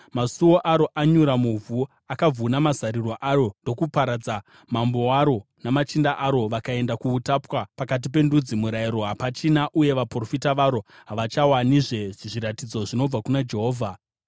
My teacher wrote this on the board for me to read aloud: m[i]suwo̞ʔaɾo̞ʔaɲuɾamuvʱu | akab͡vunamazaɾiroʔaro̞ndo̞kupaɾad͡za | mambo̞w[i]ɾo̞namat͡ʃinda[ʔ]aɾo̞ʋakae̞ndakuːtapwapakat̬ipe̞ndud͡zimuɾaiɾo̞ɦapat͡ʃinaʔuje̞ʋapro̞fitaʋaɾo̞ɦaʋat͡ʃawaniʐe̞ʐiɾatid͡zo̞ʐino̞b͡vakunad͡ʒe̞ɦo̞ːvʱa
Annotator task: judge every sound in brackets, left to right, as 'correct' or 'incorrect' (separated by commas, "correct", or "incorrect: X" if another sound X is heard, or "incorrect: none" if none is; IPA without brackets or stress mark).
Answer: incorrect: a, incorrect: a, correct